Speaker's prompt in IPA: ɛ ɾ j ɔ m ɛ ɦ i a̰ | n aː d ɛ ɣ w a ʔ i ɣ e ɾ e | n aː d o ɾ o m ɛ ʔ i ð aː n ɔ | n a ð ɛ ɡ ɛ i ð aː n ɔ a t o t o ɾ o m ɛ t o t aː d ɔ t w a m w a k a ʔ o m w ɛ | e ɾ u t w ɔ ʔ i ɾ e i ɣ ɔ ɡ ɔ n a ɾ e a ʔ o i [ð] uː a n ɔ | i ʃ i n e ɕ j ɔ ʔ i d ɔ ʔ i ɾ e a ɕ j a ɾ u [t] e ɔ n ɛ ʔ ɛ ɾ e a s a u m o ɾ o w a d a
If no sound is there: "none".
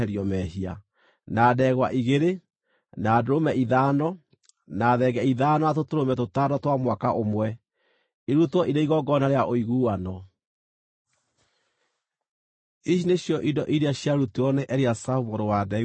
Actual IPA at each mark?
ɣ, t

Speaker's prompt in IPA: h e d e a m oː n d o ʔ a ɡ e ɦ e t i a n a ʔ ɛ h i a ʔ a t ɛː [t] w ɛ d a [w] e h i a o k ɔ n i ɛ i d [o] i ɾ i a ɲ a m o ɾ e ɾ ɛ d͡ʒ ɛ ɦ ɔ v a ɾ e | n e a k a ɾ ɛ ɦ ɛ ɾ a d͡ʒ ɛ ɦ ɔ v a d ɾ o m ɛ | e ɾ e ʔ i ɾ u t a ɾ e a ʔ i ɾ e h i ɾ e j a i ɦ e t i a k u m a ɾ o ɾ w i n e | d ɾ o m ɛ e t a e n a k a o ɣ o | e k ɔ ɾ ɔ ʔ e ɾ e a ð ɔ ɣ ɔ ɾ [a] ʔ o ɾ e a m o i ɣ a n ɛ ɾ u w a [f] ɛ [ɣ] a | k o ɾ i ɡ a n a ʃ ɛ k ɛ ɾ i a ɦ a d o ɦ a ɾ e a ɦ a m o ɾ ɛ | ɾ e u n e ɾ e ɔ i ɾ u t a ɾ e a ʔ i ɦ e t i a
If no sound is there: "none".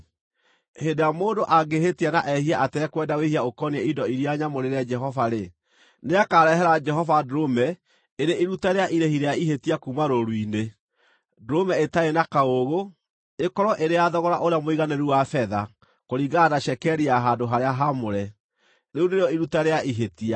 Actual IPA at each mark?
k, w, ɔ, a, f, ð

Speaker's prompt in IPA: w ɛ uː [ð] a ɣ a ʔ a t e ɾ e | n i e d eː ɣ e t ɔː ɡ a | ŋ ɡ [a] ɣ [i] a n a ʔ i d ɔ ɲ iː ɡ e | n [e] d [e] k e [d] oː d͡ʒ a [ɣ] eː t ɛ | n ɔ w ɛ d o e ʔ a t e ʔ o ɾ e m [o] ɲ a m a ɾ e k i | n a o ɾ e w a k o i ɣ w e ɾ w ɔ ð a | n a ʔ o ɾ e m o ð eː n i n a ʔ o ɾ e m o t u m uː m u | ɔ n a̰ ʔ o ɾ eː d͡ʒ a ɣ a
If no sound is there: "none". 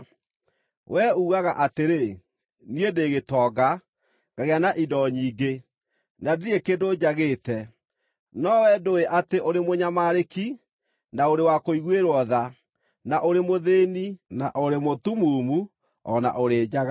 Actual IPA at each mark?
ɣ, a, e, a, e, d, ɣ, o

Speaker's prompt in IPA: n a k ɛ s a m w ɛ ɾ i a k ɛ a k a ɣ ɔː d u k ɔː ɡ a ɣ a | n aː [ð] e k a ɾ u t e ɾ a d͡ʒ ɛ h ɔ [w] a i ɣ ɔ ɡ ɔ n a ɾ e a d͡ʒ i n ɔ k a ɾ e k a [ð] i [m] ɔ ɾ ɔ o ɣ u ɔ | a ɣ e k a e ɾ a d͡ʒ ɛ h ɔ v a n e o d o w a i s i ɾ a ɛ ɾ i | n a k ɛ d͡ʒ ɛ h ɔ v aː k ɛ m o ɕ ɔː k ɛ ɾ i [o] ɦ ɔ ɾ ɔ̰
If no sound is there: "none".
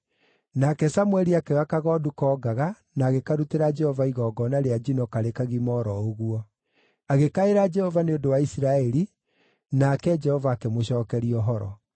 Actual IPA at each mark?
ɣ, v, ɣ, m, ɔ

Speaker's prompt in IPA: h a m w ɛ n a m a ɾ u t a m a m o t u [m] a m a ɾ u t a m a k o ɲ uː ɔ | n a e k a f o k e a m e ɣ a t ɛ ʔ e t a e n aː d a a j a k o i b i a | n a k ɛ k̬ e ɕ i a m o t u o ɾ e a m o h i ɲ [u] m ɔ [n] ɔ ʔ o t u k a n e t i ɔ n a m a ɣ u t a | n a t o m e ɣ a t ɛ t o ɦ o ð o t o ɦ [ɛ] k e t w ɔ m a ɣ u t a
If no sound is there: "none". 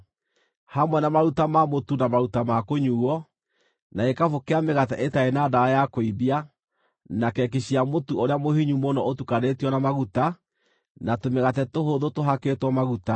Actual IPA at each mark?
n, u, n, a

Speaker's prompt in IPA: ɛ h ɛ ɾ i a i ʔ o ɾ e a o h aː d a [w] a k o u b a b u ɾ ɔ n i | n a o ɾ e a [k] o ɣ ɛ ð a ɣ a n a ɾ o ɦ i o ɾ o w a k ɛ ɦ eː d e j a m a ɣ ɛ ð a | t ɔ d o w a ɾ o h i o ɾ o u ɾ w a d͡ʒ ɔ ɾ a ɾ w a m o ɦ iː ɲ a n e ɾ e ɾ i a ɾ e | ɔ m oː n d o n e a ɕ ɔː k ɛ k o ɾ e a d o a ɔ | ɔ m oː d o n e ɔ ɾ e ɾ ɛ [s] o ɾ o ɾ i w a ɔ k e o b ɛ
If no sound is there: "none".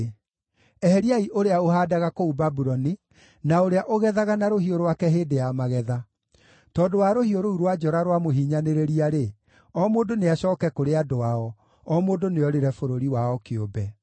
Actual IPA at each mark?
ɣ, ʔ, f

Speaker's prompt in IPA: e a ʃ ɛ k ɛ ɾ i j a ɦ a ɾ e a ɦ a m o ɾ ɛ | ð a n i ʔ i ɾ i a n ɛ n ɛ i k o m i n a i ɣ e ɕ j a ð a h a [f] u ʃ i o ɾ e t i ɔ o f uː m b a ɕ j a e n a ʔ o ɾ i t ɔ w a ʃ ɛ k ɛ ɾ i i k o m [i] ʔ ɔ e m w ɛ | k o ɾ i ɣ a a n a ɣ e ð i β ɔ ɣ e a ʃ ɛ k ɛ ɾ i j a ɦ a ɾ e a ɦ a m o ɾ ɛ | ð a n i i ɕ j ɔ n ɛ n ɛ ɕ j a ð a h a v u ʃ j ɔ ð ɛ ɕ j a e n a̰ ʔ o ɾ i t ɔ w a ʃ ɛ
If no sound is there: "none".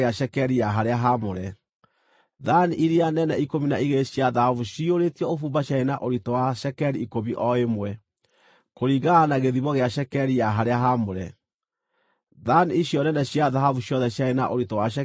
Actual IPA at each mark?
v, i

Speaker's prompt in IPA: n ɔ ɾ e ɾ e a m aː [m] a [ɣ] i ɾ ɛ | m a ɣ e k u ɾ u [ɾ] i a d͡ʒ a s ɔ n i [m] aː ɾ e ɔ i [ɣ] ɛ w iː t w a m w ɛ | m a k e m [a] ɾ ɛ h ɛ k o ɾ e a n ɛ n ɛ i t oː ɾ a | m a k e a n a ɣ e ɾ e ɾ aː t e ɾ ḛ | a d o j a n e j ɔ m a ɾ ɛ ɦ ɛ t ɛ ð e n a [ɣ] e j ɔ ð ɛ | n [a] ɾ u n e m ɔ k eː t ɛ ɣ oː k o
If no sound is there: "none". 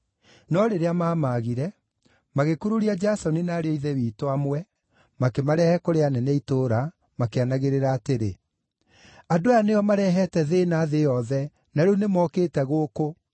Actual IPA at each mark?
m, ɣ, ɾ, n, ð, a, ð, a

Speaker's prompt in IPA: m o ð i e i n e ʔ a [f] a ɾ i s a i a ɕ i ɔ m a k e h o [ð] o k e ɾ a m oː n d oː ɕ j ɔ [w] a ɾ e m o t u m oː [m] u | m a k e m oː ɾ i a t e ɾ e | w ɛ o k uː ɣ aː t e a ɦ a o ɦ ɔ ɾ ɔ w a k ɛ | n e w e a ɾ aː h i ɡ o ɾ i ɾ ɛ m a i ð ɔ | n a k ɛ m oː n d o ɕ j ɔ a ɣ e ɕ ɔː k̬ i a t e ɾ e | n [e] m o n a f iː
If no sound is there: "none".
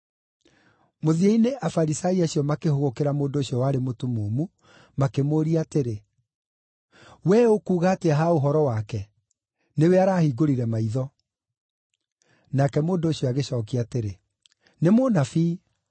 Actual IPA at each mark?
f, ɣ, w, m, e

